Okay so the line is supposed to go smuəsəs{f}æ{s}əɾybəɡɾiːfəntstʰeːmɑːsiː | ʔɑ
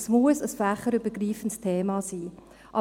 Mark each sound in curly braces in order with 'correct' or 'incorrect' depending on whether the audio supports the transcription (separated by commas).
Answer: correct, incorrect